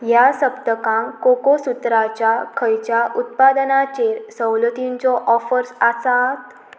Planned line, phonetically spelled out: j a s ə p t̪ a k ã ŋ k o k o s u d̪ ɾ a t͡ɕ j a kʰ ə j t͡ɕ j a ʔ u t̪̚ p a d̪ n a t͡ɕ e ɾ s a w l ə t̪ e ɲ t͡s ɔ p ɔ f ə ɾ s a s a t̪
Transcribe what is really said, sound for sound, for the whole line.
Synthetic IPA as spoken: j a s ə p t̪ ə k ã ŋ k o k o s u t̪ ɾ a t͡ɕ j a kʰ ə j t͡ɕ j a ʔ u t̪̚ p a d̪ n a t͡ɕ e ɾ s ə w l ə t̪ i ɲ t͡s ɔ ʔ ɔ f ə ɾ s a s a t̪